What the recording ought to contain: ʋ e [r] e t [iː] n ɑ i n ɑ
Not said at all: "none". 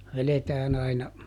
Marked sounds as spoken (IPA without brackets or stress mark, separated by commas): l, æː